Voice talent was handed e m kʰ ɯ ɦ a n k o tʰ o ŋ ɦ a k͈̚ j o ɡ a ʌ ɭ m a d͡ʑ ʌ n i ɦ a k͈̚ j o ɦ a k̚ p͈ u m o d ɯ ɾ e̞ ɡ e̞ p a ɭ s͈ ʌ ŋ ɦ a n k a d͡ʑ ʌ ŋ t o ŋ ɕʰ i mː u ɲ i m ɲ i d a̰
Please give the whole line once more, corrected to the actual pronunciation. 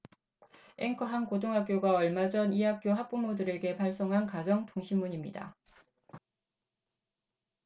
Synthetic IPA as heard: e ŋ kʰ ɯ ɦ a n k o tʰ o ŋ ɦ a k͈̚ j o ɡ a ʌ ɭ m a d͡ʑ ʌ n i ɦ a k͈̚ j o ɦ a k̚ p͈ u m o d ɯ ɾ e̞ ɡ e̞ p a ɭ s͈ ʌ ŋ ɦ a n k a d͡ʑ ʌ ŋ t o ŋ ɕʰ i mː u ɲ i m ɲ i d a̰